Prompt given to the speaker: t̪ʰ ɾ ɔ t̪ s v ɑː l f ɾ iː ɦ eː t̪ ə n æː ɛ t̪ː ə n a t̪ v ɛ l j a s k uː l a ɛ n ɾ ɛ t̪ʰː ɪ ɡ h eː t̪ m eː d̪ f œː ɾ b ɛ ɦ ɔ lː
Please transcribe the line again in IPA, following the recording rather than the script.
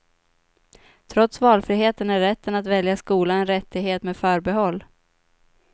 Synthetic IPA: t̪ʰ ɾ ɔ t̪ s v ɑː l f ɾ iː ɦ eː t̪ ə n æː ɛ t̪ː ə n a t̪ v ɛ l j a s k uː l a ɛ n ɾ ɛ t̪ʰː ɪ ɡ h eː t̪ m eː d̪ f œː ɾ b ɛ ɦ ɔ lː